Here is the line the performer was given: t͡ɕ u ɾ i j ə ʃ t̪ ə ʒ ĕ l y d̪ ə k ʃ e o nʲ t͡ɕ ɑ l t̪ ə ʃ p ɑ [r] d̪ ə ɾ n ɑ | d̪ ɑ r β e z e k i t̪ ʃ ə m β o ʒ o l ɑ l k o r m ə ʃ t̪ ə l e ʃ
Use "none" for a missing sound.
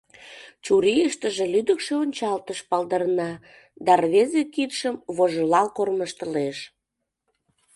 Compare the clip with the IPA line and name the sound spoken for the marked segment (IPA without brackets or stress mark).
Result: l